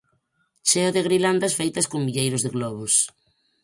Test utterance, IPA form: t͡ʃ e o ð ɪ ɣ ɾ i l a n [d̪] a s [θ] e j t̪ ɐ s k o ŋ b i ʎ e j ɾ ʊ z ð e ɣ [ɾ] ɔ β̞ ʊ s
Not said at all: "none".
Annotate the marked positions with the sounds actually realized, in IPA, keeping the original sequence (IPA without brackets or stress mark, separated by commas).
d̪, f, l